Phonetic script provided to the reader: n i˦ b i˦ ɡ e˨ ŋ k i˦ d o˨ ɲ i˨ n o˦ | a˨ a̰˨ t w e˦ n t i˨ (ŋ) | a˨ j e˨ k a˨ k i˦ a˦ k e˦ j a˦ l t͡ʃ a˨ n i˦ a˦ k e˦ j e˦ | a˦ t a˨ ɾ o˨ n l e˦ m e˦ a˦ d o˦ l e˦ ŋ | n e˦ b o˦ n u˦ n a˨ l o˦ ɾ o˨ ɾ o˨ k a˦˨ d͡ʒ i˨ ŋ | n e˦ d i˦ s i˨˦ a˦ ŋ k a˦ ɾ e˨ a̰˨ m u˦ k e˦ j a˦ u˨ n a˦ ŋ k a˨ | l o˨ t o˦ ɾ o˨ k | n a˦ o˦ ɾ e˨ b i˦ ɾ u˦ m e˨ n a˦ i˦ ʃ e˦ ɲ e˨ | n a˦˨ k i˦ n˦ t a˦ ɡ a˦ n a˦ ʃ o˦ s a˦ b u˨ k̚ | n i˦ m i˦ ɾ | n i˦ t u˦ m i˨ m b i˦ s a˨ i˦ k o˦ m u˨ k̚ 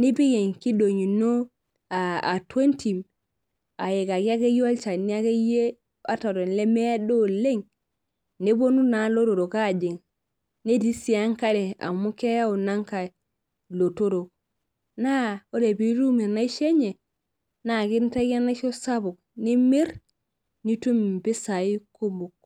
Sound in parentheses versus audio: incorrect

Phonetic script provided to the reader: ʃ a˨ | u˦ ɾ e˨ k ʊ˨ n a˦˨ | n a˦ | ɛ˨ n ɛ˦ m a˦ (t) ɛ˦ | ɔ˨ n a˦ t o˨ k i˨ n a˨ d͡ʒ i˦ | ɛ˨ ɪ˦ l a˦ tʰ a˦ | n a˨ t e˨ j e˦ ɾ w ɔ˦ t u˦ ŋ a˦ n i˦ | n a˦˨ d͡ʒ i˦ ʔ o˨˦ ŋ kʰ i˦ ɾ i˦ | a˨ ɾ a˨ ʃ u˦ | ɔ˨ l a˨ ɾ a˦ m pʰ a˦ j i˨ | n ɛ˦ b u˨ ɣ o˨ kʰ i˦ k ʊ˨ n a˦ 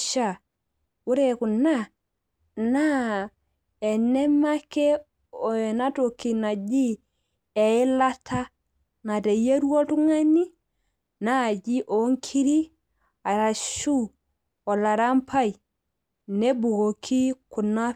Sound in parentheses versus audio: incorrect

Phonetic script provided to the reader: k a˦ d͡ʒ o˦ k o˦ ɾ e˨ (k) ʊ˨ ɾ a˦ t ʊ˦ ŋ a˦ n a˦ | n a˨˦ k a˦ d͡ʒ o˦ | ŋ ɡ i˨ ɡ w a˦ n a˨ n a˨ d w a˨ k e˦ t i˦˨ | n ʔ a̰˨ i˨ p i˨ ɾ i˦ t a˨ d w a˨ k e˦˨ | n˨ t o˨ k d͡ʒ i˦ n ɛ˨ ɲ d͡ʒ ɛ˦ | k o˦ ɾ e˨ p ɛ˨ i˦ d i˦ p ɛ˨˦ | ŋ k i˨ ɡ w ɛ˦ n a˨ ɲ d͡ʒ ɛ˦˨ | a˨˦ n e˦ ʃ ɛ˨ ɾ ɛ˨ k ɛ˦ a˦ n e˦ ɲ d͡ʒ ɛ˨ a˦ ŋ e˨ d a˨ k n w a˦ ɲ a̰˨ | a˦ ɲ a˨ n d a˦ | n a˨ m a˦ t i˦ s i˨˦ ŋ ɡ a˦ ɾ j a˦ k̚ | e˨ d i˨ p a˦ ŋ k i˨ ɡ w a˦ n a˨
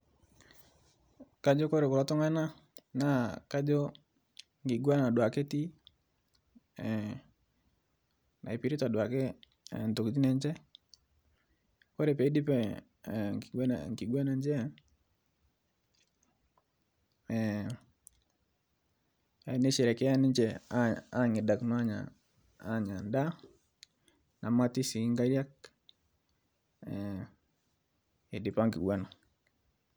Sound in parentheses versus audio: correct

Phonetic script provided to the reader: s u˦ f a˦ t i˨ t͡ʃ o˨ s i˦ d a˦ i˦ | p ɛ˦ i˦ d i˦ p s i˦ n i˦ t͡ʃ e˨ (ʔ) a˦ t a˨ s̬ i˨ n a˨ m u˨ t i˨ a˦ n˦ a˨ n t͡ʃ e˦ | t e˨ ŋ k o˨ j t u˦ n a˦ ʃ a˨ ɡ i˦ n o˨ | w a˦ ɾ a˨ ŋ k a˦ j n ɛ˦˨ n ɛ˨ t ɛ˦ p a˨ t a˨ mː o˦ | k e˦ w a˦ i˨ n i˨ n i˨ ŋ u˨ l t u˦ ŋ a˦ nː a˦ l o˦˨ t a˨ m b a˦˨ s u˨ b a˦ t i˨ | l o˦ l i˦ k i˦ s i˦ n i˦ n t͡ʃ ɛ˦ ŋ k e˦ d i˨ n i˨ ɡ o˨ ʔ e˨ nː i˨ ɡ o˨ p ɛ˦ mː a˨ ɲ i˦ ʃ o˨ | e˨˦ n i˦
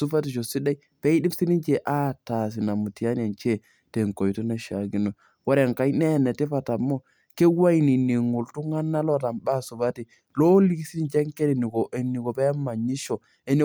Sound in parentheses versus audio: correct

